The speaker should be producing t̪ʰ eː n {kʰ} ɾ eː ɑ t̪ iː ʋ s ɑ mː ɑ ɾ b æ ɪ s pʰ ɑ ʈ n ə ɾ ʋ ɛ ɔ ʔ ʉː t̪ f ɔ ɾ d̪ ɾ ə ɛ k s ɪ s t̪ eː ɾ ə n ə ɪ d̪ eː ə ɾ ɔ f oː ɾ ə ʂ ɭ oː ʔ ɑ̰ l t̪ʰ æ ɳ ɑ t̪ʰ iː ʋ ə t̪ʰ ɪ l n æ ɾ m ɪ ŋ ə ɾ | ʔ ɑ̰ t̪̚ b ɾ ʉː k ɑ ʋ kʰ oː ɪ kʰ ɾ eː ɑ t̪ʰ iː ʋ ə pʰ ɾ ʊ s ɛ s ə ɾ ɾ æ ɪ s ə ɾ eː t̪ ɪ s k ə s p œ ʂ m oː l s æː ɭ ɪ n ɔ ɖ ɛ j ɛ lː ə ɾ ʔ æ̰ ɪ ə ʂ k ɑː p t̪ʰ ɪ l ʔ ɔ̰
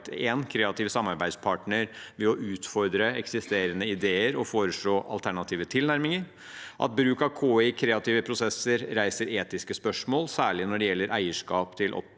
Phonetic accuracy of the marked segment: correct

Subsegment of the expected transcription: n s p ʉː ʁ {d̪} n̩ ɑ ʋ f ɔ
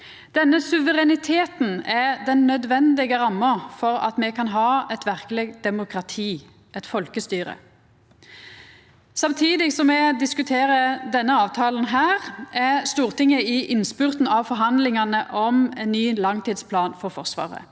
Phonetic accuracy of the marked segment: incorrect: t̪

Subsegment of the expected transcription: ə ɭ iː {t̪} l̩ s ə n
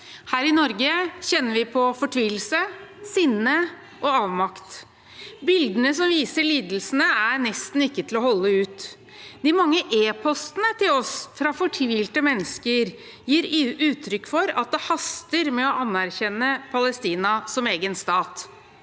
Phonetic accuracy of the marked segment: incorrect: d̪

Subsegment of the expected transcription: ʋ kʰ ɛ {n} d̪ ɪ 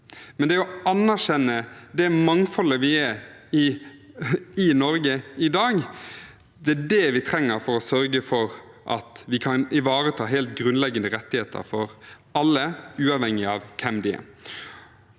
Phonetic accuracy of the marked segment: incorrect: m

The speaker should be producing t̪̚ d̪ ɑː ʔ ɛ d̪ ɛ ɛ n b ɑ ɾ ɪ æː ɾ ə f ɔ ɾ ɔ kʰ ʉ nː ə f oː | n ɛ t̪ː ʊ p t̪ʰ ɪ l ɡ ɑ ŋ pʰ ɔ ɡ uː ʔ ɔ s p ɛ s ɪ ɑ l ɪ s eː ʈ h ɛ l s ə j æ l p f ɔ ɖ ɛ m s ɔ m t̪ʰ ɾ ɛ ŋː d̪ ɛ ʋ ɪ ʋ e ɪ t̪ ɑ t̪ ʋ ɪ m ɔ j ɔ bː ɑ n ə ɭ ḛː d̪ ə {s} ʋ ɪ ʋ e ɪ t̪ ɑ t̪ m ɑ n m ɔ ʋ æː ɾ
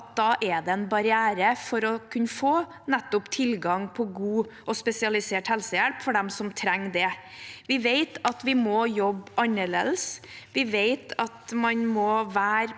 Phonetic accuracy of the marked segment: correct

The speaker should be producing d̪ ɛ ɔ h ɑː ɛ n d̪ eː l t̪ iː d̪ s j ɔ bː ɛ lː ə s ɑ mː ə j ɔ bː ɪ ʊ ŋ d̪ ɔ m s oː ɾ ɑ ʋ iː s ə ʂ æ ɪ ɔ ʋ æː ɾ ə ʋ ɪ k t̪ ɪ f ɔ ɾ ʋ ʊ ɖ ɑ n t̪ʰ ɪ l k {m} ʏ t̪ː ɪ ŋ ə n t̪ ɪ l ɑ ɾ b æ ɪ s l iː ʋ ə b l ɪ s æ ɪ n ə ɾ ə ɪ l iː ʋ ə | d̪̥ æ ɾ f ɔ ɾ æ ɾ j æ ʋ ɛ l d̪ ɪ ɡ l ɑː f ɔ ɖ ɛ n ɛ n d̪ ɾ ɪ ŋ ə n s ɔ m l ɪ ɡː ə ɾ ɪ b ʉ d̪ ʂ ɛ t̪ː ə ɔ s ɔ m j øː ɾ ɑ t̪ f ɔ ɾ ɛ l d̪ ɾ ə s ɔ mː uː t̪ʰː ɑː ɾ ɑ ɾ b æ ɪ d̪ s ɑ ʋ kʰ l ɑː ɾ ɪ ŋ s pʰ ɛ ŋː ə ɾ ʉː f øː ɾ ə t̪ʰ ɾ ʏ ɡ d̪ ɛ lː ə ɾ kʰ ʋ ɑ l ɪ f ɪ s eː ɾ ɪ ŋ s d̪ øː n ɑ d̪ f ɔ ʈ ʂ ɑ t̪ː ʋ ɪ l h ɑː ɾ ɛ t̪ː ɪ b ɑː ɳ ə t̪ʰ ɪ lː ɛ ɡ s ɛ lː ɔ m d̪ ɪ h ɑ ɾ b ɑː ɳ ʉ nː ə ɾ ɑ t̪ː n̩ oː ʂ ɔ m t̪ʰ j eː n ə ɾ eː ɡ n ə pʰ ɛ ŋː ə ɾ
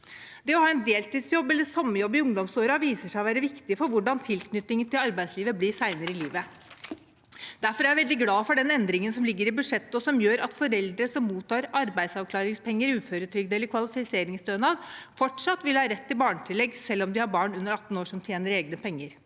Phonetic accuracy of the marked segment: incorrect: n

